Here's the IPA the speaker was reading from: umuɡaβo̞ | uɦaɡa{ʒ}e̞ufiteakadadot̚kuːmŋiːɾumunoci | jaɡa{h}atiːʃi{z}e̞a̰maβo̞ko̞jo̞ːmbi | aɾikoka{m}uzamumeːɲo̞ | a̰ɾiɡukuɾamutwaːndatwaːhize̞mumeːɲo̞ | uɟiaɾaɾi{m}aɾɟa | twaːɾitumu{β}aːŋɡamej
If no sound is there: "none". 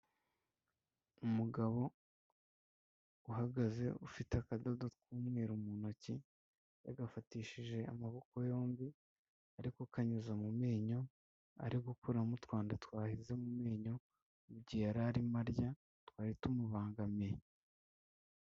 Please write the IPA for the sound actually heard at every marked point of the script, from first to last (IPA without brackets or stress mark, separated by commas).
z, f, ʒ, ɲ, m, β